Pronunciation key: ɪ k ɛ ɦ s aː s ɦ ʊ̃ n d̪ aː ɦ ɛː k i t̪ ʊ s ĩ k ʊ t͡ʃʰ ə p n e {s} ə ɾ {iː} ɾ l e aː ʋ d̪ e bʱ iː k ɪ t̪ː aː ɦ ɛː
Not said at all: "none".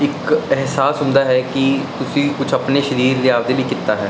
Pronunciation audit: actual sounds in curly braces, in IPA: ʃ, iː

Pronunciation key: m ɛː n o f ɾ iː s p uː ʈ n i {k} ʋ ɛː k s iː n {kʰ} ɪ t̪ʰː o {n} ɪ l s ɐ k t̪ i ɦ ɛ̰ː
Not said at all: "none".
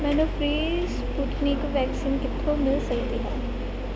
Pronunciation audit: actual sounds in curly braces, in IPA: k, k, m

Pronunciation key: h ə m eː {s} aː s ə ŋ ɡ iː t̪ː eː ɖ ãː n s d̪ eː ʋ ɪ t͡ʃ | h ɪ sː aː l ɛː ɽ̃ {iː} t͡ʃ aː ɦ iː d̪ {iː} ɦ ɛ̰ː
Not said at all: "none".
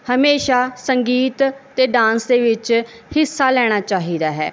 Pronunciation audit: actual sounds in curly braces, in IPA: ʃ, aː, aː

